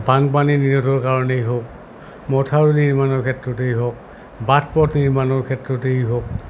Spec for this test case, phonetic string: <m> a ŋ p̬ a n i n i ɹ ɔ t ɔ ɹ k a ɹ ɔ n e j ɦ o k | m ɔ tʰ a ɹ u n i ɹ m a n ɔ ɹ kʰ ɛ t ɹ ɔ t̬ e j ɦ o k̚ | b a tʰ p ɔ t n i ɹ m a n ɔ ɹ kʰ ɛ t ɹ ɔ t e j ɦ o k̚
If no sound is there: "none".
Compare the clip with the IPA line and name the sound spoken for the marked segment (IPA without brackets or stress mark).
b